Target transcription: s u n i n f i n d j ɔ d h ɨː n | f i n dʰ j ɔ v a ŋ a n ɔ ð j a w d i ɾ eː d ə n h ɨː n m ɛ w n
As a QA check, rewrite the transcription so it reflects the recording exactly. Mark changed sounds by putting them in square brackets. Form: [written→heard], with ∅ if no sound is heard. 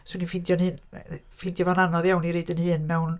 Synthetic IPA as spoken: s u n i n f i n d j ɔ [d→n] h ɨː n | f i n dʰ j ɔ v a [ŋ→n] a n ɔ ð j a w [d→n] i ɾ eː d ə n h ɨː n m ɛ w n